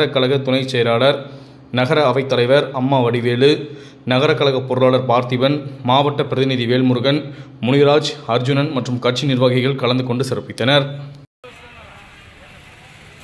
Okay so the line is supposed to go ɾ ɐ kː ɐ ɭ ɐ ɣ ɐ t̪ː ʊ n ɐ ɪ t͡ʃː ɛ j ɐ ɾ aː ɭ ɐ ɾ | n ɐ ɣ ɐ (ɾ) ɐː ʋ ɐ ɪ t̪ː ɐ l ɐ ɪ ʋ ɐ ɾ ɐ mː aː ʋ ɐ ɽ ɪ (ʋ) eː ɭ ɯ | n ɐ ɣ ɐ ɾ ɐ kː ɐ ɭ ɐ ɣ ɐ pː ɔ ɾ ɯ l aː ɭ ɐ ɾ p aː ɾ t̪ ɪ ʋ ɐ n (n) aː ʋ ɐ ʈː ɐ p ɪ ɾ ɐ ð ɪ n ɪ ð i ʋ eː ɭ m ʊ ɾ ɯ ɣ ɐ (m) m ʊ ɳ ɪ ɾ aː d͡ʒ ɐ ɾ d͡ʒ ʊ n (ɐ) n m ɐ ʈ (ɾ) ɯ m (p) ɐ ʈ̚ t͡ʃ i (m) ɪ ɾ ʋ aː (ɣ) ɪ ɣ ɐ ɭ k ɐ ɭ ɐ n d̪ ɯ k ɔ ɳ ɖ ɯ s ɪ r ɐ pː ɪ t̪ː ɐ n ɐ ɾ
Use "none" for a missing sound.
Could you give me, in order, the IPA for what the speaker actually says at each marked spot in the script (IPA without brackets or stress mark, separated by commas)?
ɾ, ʋ, m, n, ɐ, r, k, n, ɣ